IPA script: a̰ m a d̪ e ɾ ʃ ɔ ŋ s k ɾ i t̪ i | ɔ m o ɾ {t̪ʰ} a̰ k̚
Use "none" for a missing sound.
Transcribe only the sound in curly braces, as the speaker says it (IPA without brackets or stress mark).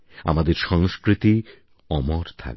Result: t̪ʰ